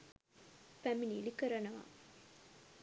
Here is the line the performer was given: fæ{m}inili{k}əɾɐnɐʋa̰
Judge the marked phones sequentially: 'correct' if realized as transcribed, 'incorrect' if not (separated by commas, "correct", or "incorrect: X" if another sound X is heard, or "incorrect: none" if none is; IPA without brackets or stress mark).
correct, correct